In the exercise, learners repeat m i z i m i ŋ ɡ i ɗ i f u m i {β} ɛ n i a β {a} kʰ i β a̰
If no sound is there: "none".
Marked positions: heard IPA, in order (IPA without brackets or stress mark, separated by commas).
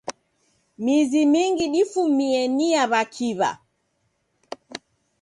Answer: none, a